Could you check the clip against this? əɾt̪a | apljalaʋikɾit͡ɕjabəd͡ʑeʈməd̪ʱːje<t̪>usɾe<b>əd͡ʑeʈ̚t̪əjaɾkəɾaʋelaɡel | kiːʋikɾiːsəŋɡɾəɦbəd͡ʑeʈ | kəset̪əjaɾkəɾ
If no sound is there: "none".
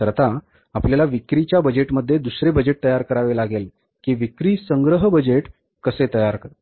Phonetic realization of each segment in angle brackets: d̪, b

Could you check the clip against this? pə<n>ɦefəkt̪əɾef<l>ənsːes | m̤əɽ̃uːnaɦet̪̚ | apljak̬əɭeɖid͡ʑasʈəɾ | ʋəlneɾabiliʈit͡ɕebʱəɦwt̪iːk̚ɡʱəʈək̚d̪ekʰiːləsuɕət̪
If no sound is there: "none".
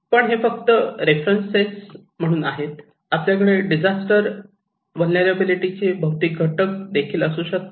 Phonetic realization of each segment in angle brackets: ɳ, ɾ

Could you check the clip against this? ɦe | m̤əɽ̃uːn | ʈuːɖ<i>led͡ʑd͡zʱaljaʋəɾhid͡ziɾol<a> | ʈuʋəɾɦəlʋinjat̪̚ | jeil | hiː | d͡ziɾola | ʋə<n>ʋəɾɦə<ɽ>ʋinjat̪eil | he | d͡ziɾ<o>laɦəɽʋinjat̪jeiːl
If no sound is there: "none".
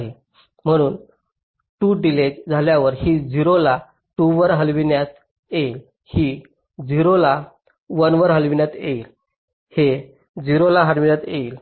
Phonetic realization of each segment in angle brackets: i, a, n, l, o

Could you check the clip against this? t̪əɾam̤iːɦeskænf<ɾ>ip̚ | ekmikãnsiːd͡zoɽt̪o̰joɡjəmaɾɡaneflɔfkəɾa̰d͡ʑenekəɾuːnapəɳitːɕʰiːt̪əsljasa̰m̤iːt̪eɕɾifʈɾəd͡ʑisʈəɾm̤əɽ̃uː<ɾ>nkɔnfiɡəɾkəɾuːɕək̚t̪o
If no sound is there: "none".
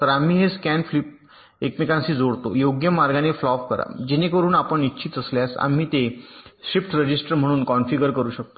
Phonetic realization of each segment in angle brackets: l, none

